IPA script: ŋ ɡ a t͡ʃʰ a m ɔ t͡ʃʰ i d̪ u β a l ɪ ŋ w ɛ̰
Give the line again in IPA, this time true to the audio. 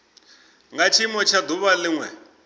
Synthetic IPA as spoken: ŋ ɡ a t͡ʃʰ i m ɔ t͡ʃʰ a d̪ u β a l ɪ ŋ w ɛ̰